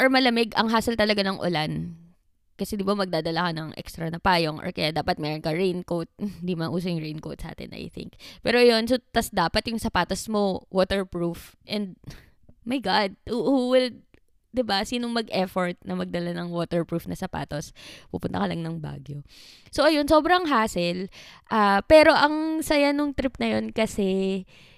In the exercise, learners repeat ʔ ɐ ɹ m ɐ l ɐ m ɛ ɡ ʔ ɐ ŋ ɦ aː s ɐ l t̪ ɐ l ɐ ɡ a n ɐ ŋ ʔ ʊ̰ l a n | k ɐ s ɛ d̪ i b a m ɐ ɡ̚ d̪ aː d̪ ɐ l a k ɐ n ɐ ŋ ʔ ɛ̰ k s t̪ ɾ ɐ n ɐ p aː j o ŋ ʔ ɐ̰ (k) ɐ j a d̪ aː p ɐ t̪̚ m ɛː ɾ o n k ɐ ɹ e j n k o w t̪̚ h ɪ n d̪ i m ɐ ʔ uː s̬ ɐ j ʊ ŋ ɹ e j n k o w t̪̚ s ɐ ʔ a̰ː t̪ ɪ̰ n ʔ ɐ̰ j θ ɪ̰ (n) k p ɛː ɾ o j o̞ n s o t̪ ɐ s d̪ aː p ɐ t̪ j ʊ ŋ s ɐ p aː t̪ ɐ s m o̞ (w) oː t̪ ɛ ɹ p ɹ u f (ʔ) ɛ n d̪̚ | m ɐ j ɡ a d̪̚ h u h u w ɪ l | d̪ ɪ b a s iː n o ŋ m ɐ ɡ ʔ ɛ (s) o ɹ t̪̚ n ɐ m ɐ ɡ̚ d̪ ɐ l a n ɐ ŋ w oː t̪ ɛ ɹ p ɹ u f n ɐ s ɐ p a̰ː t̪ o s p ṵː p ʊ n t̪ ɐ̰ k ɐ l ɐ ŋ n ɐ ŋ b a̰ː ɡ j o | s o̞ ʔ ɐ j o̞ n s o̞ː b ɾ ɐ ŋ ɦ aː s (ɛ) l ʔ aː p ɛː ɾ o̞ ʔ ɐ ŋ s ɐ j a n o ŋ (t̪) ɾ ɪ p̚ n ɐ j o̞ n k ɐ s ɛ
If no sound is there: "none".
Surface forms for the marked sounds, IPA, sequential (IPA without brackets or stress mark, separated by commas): k, ŋ, w, ʔ, f, ɛ, t̪